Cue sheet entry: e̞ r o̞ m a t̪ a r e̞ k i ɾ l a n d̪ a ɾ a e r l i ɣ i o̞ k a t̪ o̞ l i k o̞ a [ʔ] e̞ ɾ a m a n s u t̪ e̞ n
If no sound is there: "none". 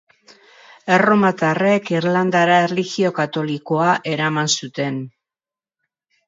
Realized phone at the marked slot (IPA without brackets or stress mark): ʔ